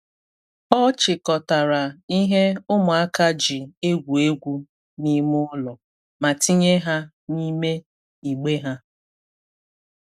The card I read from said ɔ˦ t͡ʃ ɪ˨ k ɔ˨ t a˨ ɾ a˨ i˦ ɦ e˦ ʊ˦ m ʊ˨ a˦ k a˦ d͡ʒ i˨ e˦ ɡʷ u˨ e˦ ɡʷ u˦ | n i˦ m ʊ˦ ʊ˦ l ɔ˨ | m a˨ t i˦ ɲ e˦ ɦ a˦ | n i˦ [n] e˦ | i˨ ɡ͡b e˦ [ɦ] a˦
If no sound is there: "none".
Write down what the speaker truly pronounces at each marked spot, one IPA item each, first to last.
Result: m, ɦ

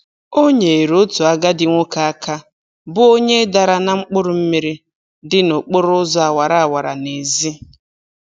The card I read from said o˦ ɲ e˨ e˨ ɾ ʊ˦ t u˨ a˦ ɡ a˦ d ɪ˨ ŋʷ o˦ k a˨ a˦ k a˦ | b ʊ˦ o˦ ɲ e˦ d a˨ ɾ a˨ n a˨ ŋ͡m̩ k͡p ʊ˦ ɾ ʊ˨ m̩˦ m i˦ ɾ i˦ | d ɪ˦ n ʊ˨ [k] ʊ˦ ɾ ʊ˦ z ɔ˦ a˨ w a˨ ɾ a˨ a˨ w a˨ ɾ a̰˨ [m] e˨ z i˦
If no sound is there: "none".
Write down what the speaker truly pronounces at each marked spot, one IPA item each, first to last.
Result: k͡p, n

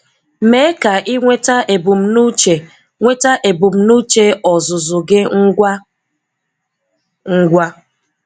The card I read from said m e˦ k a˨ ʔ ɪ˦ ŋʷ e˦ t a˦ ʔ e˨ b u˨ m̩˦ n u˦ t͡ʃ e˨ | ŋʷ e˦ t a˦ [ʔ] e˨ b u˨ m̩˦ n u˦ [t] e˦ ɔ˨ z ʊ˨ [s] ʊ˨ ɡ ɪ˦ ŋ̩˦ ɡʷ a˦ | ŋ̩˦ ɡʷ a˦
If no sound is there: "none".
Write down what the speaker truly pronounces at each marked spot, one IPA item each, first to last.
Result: ʔ, t͡ʃ, z

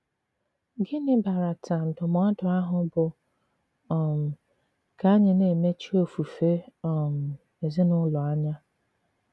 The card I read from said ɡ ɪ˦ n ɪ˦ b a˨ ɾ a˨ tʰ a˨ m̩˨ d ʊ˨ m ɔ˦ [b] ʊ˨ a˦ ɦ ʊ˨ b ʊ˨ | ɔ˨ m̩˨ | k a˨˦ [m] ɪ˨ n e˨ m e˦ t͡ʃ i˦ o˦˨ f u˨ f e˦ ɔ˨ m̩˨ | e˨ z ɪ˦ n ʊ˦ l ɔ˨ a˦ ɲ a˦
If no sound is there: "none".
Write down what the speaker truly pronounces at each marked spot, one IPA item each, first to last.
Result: d, ɲ

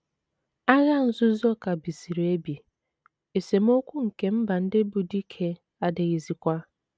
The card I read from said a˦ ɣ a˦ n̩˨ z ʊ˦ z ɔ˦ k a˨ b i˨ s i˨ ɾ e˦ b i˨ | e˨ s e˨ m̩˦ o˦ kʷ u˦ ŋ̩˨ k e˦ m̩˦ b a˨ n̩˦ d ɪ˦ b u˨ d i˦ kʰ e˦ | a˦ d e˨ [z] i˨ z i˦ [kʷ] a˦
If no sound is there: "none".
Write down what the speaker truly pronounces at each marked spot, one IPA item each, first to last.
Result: ɣ, kʷ

